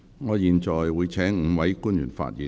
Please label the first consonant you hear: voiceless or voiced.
voiced